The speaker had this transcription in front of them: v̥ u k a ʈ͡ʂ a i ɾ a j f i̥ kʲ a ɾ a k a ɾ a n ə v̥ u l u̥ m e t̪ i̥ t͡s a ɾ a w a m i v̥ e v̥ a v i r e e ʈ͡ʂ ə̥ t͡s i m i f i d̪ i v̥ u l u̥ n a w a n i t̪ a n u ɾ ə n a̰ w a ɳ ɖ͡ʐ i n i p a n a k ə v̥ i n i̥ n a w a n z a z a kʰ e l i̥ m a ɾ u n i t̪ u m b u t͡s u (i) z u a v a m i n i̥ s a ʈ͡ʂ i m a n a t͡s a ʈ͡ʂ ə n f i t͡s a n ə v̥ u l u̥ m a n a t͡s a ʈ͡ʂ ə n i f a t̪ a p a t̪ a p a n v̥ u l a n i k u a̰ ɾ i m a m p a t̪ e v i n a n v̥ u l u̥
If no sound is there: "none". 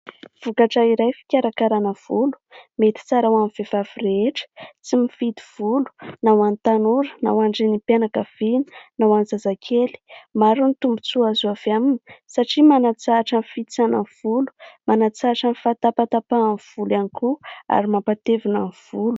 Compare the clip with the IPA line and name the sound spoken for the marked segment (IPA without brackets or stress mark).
a